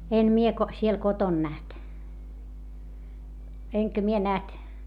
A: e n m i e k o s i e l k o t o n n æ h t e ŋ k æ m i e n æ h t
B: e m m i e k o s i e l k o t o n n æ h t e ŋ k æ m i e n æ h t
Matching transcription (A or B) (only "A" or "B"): A